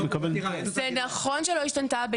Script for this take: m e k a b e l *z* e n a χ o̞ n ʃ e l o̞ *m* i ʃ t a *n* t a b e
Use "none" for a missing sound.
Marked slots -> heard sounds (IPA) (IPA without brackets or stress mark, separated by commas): z, none, n